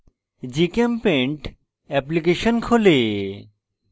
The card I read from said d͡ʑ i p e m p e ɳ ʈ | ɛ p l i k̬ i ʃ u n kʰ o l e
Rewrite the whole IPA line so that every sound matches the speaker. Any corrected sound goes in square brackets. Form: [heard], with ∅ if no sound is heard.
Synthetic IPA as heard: d͡ʑ i [k] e m p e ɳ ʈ | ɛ p l i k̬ [e] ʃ [o] n kʰ o l e